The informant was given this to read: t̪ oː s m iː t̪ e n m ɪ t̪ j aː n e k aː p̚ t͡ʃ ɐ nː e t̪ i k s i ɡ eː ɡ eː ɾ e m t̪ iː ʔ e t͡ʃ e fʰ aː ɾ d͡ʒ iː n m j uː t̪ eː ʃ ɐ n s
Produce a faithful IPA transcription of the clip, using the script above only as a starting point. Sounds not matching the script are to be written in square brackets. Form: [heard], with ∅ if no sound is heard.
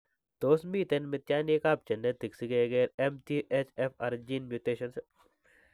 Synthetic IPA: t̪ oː s m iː t̪ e n m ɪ t̪ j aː n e k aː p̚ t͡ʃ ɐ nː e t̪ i k s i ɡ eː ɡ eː ɾ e m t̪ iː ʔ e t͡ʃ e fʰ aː ɾ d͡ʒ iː n m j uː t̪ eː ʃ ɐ n s